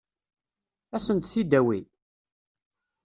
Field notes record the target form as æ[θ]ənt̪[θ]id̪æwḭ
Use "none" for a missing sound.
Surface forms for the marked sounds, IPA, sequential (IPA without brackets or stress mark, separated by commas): s, θ